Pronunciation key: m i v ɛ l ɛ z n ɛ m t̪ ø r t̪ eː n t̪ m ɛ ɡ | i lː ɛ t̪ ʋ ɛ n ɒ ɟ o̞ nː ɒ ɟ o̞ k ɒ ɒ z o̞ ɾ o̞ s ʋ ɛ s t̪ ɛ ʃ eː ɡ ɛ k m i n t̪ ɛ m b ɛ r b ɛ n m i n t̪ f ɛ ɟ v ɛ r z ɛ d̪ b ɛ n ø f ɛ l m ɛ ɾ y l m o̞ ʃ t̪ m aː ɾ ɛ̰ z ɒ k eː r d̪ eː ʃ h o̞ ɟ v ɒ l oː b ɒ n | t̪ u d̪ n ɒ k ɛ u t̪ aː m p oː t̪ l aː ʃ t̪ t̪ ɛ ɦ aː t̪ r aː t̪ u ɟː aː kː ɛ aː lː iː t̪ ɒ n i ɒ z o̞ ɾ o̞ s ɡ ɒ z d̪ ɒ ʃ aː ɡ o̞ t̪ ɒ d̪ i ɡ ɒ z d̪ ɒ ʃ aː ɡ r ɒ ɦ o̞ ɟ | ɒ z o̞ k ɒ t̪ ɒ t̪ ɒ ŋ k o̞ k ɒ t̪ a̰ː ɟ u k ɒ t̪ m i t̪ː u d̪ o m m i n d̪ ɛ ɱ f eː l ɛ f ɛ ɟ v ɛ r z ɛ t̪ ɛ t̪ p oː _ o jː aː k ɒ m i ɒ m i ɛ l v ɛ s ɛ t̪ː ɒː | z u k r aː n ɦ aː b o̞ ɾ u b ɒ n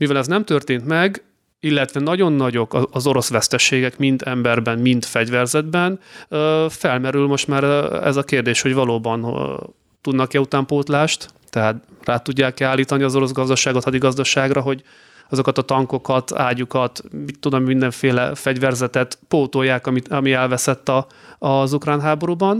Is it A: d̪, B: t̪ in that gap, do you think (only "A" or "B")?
B